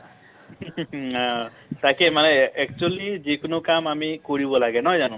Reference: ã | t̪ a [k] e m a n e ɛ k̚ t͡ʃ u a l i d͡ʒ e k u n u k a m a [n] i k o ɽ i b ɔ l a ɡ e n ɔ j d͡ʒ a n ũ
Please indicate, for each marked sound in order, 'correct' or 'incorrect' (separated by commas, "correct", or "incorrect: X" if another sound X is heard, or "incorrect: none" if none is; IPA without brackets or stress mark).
correct, incorrect: m